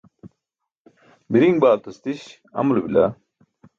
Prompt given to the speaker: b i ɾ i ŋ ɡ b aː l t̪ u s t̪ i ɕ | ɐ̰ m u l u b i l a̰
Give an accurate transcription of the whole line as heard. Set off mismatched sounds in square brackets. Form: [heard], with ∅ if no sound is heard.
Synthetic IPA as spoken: b i ɾ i ŋ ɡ b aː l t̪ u s t̪ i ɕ | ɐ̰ m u l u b i l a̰